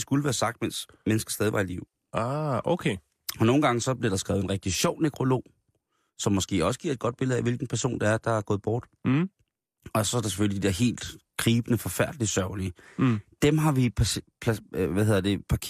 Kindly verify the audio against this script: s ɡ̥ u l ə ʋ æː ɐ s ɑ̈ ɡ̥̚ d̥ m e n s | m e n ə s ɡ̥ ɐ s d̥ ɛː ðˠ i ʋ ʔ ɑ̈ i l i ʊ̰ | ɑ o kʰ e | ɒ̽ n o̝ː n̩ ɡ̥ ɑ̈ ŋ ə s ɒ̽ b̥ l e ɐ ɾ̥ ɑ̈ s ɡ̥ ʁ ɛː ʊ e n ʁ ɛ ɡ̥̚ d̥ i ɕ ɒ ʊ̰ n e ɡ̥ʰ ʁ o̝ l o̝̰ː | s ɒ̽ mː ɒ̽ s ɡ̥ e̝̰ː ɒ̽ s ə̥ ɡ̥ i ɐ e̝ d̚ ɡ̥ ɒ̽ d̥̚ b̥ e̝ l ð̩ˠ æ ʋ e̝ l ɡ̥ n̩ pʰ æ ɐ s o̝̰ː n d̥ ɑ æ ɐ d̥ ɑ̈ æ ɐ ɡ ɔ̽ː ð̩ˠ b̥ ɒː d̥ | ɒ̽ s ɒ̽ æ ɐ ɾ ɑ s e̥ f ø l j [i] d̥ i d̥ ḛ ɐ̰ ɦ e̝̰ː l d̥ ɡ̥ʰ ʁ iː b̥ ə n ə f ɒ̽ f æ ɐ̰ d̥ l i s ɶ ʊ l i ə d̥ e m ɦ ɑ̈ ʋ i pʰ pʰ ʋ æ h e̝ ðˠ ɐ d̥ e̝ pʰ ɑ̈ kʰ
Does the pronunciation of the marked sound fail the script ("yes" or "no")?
no